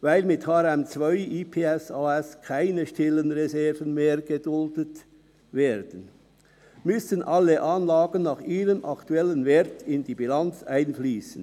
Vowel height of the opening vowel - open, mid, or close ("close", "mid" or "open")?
open